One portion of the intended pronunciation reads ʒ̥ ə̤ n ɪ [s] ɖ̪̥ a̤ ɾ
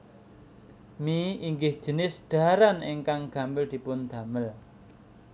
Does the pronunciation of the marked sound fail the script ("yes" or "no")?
no